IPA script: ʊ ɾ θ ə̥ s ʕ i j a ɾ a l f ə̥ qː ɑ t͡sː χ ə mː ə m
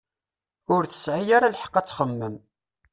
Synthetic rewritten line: ʊ ɾ θ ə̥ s ʕ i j a ɾ a l ħ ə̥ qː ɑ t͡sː χ ə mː ə m